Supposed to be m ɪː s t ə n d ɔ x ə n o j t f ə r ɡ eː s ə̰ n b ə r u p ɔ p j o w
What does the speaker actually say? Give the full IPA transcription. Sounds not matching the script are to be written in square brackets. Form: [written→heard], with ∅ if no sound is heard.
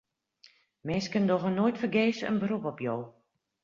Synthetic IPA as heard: m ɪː s [t→k] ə n d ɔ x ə n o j t f ə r ɡ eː s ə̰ n b ə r u p ɔ p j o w